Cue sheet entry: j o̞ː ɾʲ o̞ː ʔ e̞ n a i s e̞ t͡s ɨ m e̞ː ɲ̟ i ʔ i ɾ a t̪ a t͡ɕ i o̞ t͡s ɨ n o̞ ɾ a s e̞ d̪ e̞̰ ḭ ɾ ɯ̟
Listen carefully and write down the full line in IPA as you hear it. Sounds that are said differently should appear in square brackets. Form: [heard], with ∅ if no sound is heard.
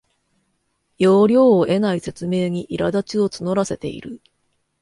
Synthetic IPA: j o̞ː ɾʲ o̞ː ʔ e̞ n a i s e̞ t͡s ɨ m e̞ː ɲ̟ i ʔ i ɾ a [d̪] a t͡ɕ i o̞ t͡s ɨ n o̞ ɾ a s e̞ [t̪] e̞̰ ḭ ɾ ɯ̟